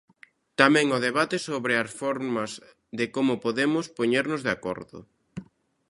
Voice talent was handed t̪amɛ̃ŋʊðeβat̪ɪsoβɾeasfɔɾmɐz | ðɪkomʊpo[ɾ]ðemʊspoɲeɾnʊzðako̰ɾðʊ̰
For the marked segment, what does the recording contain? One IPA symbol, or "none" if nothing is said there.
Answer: none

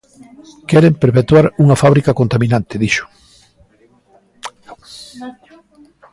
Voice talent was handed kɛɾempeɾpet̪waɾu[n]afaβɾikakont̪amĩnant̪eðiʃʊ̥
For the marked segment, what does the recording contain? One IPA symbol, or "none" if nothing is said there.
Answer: ŋ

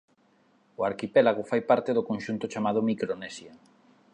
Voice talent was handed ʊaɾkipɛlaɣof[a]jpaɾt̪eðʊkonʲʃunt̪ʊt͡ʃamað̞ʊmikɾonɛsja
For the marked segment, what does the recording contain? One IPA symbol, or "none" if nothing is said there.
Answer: a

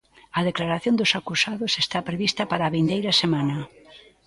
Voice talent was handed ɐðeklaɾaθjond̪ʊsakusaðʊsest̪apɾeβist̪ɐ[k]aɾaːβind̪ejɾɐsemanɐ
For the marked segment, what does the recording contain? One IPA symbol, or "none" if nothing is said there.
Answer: p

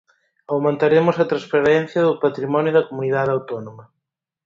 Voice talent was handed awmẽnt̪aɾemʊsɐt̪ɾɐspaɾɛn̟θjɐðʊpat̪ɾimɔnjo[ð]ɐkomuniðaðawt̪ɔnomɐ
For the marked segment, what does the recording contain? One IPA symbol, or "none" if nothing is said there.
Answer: ð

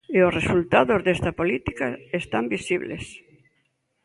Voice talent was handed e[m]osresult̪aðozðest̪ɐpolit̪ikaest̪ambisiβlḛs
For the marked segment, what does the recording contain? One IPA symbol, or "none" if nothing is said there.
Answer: none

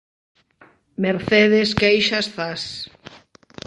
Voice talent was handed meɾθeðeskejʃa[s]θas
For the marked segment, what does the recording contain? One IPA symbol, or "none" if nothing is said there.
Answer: s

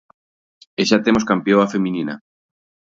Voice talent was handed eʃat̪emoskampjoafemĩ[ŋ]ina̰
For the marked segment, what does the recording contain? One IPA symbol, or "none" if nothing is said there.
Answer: n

